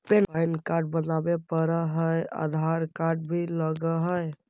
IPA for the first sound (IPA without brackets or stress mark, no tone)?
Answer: p